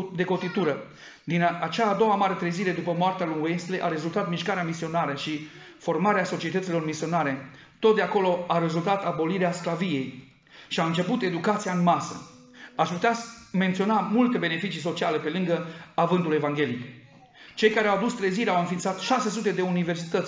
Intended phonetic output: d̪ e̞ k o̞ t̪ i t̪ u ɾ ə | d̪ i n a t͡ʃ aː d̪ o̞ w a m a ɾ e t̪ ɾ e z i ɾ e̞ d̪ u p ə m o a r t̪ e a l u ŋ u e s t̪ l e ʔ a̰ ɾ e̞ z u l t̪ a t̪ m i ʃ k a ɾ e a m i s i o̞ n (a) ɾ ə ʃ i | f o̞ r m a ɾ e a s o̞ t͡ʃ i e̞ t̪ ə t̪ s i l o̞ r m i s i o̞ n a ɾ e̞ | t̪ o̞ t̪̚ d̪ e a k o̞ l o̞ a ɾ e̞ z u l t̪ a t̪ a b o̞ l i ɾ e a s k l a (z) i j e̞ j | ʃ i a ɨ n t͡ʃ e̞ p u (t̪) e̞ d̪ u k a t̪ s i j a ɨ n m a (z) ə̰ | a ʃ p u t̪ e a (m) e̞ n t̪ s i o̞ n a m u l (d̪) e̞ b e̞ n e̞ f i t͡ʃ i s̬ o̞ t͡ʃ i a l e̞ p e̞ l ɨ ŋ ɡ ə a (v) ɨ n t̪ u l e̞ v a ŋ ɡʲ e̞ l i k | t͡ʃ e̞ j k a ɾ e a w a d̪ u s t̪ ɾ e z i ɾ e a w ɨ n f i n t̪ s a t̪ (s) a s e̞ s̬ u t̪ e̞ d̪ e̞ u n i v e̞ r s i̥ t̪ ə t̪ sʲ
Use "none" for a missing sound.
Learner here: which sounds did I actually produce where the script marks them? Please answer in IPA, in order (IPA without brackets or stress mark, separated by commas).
a, v, t̪, s, m, t̪, v, ʃ